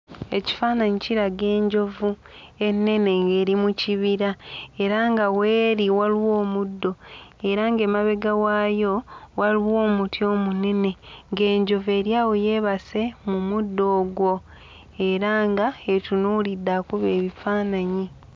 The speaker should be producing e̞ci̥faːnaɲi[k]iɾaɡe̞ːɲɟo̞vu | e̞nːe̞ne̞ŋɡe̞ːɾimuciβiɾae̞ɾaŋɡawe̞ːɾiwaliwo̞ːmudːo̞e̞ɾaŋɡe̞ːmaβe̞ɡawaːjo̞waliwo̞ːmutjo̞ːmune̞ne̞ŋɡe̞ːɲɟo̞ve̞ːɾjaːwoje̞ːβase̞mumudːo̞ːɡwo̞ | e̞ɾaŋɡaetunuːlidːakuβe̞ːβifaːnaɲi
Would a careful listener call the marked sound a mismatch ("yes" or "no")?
yes